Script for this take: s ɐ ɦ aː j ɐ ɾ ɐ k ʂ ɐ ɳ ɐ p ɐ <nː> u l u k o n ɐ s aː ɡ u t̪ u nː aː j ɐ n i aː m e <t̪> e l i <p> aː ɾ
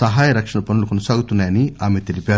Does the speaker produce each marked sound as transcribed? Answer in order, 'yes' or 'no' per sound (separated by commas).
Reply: no, yes, yes